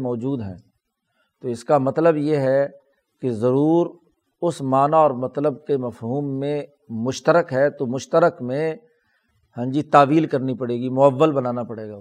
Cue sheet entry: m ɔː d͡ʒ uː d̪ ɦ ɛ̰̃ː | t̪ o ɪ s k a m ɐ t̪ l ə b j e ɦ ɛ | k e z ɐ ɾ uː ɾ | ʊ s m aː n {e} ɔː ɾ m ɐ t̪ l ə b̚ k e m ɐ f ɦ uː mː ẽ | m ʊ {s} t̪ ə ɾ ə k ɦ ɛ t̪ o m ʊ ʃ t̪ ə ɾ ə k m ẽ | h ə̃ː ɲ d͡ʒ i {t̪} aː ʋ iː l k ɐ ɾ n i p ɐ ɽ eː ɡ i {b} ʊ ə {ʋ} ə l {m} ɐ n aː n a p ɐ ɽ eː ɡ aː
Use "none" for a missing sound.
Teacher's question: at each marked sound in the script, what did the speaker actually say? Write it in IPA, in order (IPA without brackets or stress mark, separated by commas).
a, ʃ, t̪, m, ʋː, b